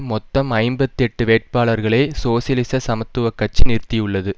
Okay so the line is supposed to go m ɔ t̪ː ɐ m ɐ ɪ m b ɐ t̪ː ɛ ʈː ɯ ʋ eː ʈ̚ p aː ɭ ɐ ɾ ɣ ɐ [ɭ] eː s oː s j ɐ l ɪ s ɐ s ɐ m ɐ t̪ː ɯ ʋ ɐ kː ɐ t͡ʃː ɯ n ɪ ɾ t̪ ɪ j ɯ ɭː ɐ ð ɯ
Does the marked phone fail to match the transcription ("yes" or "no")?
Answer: no